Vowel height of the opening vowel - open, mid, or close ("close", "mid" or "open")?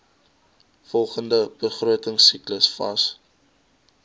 mid